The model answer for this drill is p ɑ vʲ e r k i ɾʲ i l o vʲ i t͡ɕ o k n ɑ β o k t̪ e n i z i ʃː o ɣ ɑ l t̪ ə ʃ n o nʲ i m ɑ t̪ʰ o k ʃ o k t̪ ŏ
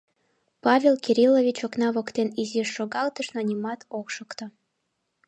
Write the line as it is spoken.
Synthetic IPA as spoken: p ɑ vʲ e l k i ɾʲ i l o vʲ i t͡ɕ o k n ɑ β o k t̪ e n i z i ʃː o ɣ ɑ l t̪ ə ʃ n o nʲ i m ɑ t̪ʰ o k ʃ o k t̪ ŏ